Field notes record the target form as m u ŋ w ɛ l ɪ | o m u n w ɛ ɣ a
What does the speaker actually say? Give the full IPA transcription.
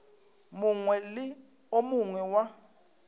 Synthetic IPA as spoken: m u ŋ w ɛ l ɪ | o m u ŋ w ɛ w a

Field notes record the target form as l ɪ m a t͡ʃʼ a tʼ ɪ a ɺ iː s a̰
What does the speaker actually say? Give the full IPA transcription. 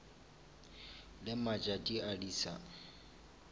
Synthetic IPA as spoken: l ɪ m a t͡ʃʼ a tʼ i a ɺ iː s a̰

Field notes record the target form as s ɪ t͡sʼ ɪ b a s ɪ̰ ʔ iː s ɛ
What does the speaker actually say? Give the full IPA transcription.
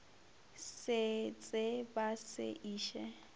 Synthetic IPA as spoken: s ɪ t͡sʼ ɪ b a s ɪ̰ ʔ iː ʃ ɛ

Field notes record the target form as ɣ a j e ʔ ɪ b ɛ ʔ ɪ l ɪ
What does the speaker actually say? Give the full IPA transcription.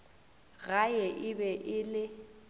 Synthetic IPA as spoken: ɣ a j ɛ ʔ ɪ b ɛ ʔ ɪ l ɪ

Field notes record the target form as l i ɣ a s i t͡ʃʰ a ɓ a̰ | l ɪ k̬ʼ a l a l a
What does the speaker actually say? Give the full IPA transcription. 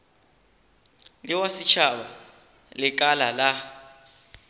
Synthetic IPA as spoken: l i w a s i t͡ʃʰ a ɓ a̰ | l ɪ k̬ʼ a l a l a

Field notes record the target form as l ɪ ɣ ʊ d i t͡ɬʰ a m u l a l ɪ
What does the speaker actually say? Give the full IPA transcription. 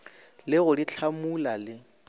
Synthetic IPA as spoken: l ɪ ɣ ʊ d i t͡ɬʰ a m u l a l ɪ

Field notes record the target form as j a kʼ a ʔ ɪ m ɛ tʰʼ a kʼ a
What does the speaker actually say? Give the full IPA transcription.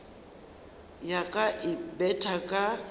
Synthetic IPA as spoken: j a kʼ a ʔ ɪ b ɛ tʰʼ a kʼ a

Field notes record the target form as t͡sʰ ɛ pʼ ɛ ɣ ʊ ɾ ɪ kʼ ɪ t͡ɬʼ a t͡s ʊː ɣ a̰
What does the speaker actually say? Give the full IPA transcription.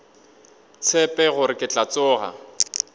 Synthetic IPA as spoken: t͡sʰ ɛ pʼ ɛ ɣ ʊ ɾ ɪ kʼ ɪ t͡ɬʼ a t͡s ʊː ɣ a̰

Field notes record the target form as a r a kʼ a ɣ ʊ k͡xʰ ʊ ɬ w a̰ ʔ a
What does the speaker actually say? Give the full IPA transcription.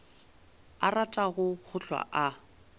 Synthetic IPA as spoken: a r a tʼ a ɣ ʊ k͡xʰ ʊ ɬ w a̰ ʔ a

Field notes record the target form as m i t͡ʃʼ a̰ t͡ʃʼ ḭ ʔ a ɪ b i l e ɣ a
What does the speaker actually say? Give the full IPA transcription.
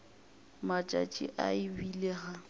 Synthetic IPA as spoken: m a t͡ʃʼ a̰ t͡ʃʼ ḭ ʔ a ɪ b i l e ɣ a

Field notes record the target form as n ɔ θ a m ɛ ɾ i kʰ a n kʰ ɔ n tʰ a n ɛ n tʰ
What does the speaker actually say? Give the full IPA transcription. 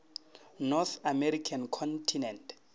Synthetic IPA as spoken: n ɔ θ a m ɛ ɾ i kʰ a n kʰ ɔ n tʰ i n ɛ n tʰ

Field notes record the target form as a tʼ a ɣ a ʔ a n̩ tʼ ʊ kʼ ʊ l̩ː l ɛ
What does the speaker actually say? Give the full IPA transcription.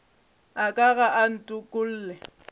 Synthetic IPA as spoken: a kʼ a ɣ a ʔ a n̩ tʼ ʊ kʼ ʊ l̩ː l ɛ

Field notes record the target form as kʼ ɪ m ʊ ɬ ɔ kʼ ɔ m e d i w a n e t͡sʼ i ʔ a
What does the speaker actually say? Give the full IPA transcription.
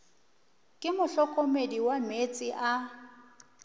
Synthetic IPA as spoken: kʼ ɪ m ʊ ɬ ɔ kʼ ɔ m e d i w a m e t͡sʼ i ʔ a

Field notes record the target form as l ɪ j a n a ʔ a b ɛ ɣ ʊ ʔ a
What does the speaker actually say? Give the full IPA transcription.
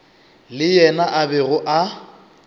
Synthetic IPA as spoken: l ɪ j ɛ n a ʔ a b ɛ ɣ ʊ ʔ a

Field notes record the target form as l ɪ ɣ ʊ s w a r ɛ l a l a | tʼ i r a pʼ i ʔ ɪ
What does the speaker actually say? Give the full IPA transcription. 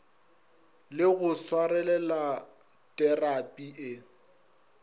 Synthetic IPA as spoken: l ɪ ɣ ʊ s w a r ɛ l ɛ l a | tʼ ɛ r a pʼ i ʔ ɪ

